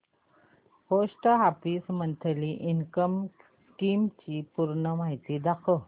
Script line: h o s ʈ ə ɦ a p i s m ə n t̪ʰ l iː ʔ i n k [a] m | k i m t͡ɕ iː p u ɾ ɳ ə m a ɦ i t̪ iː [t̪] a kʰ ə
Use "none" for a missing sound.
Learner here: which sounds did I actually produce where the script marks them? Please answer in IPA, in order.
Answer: ə, d̪

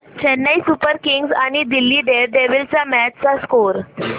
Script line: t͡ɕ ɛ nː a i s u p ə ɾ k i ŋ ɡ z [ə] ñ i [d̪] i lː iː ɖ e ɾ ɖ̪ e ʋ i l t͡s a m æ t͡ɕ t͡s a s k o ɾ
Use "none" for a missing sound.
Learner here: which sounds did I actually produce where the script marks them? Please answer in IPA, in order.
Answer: a, d̪

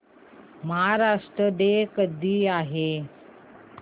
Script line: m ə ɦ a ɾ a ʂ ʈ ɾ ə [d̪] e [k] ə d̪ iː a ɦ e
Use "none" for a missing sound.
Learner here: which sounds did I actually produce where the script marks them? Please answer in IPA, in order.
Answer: d̪, k

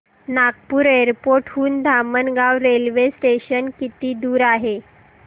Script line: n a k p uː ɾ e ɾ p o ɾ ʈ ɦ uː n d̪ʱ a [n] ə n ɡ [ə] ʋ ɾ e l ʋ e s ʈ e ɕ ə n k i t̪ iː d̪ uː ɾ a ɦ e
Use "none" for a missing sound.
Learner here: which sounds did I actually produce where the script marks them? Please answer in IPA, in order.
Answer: m, a

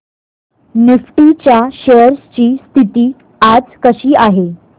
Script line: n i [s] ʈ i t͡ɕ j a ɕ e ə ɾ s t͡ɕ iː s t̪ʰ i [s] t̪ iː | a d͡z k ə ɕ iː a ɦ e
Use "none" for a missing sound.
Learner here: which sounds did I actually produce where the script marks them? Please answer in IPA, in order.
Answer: f, none

